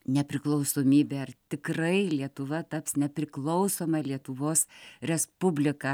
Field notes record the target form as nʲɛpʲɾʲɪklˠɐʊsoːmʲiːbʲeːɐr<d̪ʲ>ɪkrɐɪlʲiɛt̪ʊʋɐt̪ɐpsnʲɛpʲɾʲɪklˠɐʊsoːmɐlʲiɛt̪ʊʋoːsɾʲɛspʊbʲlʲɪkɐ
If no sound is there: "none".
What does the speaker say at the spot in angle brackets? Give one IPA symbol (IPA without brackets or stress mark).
t̪ʲ